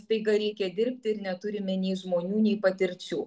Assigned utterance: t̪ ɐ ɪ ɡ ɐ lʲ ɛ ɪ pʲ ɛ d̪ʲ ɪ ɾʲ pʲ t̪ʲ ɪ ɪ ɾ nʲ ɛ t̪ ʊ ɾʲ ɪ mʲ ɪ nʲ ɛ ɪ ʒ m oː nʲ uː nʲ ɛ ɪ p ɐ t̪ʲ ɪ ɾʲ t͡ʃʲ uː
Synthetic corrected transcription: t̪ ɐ ɪ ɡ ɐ ɾʲ ɛ ɪ kʲ ɛ d̪ʲ ɪ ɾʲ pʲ t̪ʲ ɪ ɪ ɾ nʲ ɛ t̪ ʊ ɾʲ ɪ mʲ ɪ nʲ ɛ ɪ ʒ m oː nʲ uː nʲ ɛ ɪ p ɐ t̪ʲ ɪ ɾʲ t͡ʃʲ uː

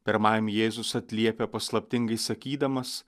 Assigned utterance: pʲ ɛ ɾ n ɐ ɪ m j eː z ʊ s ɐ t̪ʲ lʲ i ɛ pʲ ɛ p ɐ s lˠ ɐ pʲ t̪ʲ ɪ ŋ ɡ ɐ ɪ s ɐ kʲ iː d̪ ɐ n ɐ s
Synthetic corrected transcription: pʲ ɛ ɾ m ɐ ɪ m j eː z ʊ s ɐ t̪ʲ lʲ i ɛ pʲ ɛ p ɐ s lˠ ɐ pʲ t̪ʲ ɪ ŋ ɡ ɐ ɪ s ɐ kʲ iː d̪ ɐ m ɐ s

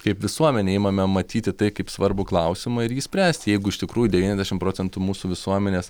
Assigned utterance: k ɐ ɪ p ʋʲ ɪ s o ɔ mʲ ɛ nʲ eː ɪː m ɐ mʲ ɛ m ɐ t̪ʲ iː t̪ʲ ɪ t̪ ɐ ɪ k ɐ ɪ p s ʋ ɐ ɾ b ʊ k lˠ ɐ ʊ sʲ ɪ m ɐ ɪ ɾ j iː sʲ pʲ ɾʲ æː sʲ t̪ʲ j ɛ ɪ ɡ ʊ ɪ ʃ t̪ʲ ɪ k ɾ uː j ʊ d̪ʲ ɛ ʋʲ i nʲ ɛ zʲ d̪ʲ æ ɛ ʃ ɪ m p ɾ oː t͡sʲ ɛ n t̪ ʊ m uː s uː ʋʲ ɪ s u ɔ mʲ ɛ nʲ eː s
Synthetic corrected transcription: k ɐ ɪ p ʋʲ ɪ s u ɔ mʲ ɛ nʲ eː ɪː m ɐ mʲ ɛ m ɐ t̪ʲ iː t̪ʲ ɪ t̪ ɐ ɪ k ɐ ɪ p s ʋ ɐ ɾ b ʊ k lˠ ɐ ʊ sʲ ɪ m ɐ ɪ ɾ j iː sʲ pʲ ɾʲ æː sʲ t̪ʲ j ɛ ɪ ɡ ʊ ɪ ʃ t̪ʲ ɪ k ɾ uː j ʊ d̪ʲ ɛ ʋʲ i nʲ ɛ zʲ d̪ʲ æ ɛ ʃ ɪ m p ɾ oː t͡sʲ ɛ n t̪ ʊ m uː s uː ʋʲ ɪ s u ɔ mʲ ɛ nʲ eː s

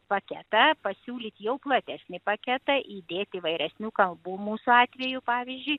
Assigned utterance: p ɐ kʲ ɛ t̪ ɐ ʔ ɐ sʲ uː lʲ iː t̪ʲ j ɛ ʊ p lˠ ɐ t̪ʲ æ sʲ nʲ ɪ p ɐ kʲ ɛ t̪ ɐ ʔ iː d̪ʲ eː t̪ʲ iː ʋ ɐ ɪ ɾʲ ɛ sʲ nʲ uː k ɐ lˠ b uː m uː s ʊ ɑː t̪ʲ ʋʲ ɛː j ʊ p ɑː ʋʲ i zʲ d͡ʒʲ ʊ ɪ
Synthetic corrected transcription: p ɐ kʲ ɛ t̪ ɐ p ɐ sʲ uː lʲ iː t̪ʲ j ɛ ʊ p lˠ ɐ t̪ʲ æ sʲ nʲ ɪ p ɐ kʲ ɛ t̪ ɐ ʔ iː d̪ʲ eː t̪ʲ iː ʋ ɐ ɪ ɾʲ ɛ sʲ nʲ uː k ɐ lˠ b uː m uː s ʊ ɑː t̪ʲ ʋʲ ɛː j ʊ p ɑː ʋʲ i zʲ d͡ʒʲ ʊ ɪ

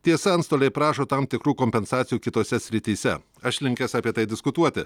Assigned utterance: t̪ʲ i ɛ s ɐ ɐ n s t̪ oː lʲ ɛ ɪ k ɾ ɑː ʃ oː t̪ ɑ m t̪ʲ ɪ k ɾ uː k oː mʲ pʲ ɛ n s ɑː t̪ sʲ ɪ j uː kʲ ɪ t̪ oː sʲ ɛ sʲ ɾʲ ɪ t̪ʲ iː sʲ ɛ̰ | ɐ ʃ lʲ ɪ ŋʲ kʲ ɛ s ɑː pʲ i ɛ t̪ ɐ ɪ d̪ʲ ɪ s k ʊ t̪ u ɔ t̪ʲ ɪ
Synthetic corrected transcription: t̪ʲ i ɛ s ɐ ɐ n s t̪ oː lʲ ɛ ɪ p ɾ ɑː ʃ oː t̪ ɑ m t̪ʲ ɪ k ɾ uː k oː mʲ pʲ ɛ n s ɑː t̪ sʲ ɪ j uː kʲ ɪ t̪ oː sʲ ɛ sʲ ɾʲ ɪ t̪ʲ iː sʲ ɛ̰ | ɐ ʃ lʲ ɪ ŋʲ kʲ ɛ s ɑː pʲ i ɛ t̪ ɐ ɪ d̪ʲ ɪ s k ʊ t̪ u ɔ t̪ʲ ɪ

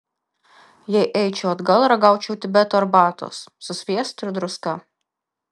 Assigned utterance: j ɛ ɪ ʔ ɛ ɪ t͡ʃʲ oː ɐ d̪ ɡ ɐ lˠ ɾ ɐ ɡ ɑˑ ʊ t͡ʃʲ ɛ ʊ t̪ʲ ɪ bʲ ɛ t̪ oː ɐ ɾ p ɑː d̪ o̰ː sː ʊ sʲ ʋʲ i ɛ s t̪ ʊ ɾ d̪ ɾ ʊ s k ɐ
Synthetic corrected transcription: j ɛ ɪ ʔ ɛ ɪ t͡ʃʲ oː ɐ d̪ ɡ ɐ lˠ ɾ ɐ ɡ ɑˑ ʊ t͡ʃʲ ɛ ʊ t̪ʲ ɪ bʲ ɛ t̪ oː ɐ ɾ b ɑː t̪ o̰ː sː ʊ sʲ ʋʲ i ɛ s t̪ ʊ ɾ d̪ ɾ ʊ s k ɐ

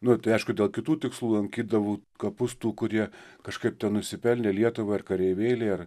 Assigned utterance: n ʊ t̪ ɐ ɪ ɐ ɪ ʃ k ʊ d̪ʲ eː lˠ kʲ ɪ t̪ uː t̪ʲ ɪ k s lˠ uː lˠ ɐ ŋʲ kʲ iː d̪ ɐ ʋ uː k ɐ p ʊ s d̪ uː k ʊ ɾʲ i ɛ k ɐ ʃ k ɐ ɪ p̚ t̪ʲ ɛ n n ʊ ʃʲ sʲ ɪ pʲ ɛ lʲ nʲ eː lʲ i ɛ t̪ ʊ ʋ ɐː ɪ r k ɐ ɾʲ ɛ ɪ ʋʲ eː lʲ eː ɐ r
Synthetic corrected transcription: n ʊ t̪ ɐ ɪ ɐ ɪ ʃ k ʊ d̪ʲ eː lˠ kʲ ɪ t̪ uː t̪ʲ ɪ k s lˠ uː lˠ ɐ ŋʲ kʲ iː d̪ ɐ ʋ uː k ɐ p ʊ s t̪ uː k ʊ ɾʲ i ɛ k ɐ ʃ k ɐ ɪ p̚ t̪ʲ ɛ n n ʊ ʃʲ sʲ ɪ pʲ ɛ lʲ nʲ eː lʲ i ɛ t̪ ʊ ʋ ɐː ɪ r k ɐ ɾʲ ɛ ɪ ʋʲ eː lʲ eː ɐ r

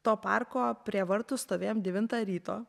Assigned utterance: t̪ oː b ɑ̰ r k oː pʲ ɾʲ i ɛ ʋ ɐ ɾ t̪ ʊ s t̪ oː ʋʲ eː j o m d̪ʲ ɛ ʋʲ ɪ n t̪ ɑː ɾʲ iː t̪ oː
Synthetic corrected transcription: t̪ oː p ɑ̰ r k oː pʲ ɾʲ i ɛ ʋ ɐ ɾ t̪ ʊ s t̪ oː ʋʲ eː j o m d̪ʲ ɛ ʋʲ ɪ n t̪ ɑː ɾʲ iː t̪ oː

